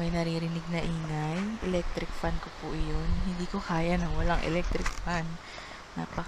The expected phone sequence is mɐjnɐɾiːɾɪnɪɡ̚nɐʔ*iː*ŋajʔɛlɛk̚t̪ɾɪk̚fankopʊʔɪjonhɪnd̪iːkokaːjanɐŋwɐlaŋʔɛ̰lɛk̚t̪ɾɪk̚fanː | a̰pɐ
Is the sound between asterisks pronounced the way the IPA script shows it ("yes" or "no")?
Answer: yes